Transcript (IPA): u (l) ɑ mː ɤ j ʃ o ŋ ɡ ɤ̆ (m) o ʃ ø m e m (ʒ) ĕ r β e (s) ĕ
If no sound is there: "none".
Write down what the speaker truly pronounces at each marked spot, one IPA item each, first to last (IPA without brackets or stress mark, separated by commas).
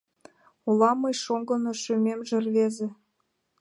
l, n, ʒ, z